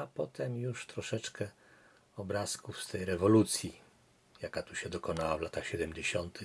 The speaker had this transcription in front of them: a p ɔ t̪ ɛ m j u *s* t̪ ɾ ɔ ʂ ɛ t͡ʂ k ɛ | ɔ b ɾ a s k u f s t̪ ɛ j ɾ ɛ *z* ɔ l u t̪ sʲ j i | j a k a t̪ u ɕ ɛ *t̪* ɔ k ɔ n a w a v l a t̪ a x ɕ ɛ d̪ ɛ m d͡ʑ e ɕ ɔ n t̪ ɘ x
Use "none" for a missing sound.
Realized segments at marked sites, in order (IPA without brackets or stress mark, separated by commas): ʂ, v, d̪